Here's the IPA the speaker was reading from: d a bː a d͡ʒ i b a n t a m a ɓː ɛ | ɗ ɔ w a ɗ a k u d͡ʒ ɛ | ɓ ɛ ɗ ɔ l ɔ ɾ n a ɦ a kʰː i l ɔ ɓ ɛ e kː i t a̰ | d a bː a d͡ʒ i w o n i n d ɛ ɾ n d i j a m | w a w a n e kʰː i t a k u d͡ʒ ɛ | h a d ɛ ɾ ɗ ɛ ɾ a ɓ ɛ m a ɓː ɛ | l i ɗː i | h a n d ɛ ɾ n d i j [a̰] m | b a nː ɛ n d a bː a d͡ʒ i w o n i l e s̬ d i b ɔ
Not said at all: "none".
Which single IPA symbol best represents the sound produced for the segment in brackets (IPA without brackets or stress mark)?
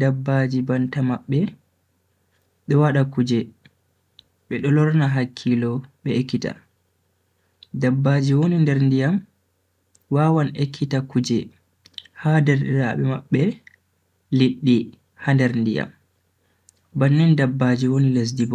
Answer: a̰